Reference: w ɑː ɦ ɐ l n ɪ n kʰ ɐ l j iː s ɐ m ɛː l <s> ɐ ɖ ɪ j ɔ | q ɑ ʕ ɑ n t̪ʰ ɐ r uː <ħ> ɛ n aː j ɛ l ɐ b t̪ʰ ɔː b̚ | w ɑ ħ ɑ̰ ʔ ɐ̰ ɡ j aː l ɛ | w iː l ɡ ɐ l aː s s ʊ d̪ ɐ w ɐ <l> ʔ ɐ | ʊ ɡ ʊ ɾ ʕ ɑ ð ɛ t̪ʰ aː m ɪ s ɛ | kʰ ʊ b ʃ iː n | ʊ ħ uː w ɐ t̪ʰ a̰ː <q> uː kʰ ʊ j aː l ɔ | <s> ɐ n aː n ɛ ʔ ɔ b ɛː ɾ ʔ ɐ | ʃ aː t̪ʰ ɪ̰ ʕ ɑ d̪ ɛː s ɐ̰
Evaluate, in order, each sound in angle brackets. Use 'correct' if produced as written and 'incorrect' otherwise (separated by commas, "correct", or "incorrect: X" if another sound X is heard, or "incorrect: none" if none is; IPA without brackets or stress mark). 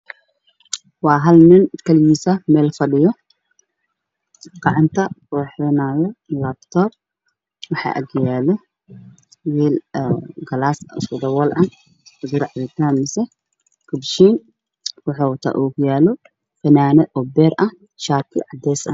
incorrect: f, correct, correct, incorrect: ʔ, incorrect: f